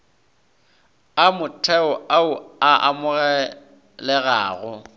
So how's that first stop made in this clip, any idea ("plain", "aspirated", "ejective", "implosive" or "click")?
aspirated